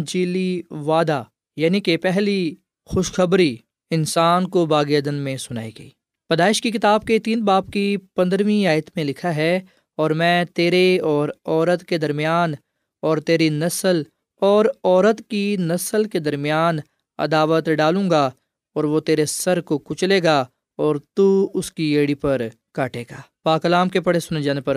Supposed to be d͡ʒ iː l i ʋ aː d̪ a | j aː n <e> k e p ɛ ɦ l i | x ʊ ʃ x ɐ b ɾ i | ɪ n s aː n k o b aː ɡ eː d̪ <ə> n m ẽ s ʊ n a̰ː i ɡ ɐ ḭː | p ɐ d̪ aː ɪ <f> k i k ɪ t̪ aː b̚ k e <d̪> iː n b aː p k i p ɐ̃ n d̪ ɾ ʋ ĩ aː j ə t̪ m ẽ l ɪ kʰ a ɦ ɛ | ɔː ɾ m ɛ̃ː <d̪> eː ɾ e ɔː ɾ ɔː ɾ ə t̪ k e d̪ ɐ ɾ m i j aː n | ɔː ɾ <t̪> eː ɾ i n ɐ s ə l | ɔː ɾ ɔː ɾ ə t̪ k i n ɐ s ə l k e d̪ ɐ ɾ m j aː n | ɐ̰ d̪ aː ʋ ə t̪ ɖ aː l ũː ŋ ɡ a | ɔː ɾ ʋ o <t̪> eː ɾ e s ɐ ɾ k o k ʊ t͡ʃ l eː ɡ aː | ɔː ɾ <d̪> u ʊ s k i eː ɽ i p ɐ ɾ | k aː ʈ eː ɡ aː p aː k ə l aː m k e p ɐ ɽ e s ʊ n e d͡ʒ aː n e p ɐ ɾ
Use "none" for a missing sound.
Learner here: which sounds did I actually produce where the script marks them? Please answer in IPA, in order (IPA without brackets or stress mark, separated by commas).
i, ə, ʃ, t̪, t̪, t̪, t̪, t̪